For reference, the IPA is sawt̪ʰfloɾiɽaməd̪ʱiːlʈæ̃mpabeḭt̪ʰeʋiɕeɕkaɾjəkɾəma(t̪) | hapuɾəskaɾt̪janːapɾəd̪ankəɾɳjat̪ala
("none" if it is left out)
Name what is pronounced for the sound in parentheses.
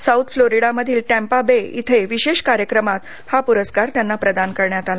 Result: t̪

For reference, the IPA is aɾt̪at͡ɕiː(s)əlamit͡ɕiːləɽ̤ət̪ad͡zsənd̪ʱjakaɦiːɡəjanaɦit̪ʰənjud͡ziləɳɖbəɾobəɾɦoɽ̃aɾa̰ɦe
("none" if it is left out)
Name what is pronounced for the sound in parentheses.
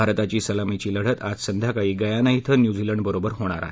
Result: s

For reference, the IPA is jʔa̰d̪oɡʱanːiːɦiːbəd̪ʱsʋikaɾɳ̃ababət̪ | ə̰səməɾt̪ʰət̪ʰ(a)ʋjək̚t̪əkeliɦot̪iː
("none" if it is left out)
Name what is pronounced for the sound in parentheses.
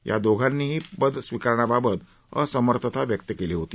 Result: a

